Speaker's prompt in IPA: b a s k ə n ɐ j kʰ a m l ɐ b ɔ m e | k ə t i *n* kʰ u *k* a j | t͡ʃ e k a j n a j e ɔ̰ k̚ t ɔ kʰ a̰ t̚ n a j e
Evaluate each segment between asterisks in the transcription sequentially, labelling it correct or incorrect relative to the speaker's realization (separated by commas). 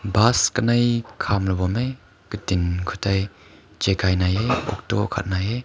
correct, incorrect